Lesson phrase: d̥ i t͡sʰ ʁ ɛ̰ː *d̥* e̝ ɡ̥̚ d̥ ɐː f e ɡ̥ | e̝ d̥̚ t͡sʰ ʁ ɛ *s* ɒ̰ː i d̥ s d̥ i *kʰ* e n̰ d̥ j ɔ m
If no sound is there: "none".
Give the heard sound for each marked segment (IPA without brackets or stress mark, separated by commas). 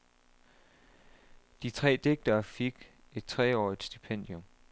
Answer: d̥, none, pʰ